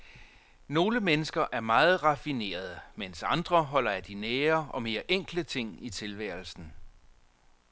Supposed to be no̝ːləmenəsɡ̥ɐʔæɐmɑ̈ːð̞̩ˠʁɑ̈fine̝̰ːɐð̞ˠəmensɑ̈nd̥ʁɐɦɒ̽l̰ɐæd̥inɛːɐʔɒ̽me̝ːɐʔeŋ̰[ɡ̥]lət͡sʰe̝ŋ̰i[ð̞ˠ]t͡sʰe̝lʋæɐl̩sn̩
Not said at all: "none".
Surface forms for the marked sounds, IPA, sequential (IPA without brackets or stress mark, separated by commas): ɡ̥, none